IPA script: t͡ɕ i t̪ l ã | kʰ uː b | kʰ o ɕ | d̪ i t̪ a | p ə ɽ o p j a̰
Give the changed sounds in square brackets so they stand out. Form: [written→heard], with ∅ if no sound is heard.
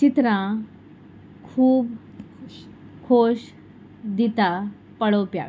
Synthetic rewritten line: t͡ɕ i t̪ [l→ɾ] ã | kʰ uː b | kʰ o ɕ | d̪ i t̪ a | p ə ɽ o p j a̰